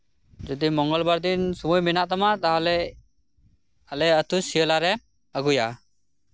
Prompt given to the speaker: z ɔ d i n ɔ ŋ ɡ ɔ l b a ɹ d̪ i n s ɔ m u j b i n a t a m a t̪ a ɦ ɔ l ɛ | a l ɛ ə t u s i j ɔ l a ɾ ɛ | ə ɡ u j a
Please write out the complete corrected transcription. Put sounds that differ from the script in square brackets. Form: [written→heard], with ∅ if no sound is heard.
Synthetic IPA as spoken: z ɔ d i [n→m] ɔ ŋ ɡ ɔ l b a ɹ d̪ i n s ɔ m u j [b→m] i n a t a m a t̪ a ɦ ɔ l ɛ | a l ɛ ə t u s i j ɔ l a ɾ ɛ | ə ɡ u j a